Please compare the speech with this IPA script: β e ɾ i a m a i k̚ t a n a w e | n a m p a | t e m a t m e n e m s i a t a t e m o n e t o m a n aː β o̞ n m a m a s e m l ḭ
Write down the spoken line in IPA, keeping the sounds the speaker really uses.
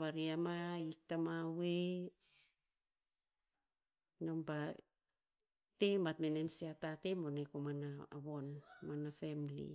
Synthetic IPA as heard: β a ɾ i a m a i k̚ t a m a w e | n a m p a | t e m a t m e n e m s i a t a t e m o n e k o m a n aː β o̞ n m a n a f e m l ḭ